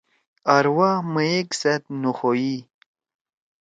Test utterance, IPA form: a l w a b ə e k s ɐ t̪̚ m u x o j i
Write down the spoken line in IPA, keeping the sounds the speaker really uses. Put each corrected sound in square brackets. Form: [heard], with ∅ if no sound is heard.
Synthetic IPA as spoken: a [ɾ] w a [m] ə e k s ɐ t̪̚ [n] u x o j i